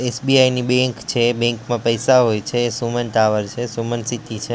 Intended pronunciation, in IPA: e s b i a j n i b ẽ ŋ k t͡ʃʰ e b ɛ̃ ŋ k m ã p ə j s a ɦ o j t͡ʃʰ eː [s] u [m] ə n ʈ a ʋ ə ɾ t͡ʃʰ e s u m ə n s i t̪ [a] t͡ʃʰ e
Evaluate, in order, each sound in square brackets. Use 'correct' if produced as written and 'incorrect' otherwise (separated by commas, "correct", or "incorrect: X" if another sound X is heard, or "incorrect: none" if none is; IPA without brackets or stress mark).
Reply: correct, correct, incorrect: i